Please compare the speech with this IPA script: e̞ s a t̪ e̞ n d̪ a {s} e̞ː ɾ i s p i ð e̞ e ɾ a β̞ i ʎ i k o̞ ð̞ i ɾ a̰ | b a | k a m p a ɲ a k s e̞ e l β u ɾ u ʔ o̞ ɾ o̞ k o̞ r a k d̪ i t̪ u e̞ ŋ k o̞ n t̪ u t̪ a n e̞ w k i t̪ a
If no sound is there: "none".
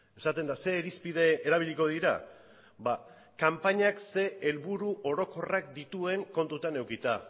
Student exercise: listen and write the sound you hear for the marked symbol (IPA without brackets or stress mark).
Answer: s